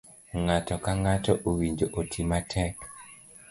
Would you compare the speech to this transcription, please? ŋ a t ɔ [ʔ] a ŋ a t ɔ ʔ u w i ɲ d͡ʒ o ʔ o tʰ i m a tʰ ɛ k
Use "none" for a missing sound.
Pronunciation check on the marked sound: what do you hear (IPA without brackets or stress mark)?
k